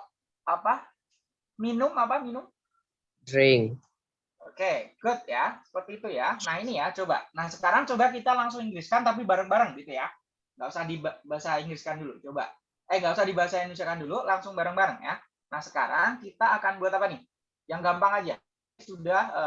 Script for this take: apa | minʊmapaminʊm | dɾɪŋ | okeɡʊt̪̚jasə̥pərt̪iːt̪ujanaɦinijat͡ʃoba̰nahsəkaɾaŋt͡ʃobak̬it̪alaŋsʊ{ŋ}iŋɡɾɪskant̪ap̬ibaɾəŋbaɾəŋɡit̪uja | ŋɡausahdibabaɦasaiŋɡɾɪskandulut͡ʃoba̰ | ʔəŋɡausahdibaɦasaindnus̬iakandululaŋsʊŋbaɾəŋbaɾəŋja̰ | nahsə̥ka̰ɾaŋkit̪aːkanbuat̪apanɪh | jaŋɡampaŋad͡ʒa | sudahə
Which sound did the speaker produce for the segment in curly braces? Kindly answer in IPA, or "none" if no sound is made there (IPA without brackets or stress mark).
ŋ